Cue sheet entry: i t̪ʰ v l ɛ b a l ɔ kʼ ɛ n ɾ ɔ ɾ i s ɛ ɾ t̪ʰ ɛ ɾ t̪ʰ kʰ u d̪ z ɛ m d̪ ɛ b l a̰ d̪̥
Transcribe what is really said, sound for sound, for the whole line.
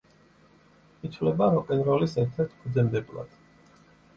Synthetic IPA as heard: i t̪ʰ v l ɛ b a ɾ ɔ kʼ ɛ n ɾ ɔ l i s ɛ ɾ t̪ʰ ɛ ɾ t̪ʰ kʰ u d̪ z ɛ m d̪ ɛ b l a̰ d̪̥